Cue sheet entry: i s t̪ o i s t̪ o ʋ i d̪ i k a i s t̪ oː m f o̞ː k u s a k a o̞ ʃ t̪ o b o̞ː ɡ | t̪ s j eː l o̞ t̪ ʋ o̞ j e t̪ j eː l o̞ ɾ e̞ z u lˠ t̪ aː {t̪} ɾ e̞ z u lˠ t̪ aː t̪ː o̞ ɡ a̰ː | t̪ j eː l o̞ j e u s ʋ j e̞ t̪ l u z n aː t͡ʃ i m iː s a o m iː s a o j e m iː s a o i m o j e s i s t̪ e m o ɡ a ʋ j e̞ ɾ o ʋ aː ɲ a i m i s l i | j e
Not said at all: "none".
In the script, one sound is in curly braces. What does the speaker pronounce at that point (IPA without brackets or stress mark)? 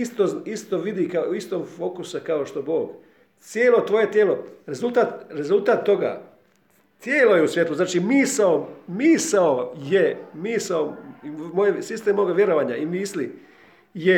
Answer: t̪